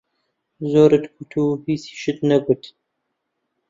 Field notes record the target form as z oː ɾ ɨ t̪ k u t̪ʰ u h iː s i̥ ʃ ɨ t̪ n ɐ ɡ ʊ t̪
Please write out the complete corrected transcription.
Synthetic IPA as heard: z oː ɾ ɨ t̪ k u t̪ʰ u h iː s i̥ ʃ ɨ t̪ n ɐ ɡ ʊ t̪